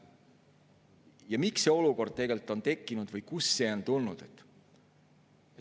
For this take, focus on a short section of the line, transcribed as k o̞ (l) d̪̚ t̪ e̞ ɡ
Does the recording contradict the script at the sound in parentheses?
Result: yes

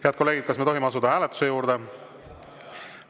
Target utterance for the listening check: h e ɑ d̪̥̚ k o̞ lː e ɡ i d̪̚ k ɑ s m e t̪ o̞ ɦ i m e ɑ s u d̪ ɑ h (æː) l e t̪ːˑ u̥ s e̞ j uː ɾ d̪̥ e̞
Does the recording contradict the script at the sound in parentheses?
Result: no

